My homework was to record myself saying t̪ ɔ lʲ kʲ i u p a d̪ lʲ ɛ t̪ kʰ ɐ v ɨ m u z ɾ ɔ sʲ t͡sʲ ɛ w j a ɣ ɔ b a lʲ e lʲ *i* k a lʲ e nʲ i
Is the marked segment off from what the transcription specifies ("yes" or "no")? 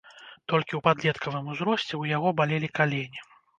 no